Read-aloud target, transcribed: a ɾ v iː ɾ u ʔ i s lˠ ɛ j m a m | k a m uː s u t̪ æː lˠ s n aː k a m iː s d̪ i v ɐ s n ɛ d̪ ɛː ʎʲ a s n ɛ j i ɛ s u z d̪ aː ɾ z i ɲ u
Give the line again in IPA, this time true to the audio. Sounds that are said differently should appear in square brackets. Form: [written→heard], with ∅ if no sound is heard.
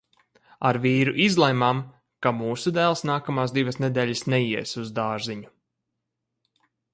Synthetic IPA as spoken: a ɾ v iː ɾ u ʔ i [s→z] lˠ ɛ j m a m | k a m uː s u [t̪→d̪] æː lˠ s n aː k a m [iː→aː] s d̪ i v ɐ s n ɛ d̪ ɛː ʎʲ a s n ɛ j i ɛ s u z d̪ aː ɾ z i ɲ u